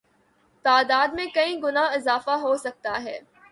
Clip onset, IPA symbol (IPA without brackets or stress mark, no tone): t̪